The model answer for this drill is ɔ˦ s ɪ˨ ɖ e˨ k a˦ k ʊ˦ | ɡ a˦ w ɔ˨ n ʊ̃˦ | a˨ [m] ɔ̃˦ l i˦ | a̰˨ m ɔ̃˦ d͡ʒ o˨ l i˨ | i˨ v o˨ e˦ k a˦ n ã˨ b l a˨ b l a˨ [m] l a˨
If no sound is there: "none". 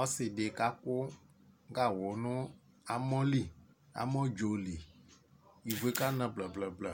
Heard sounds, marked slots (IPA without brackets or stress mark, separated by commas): m, b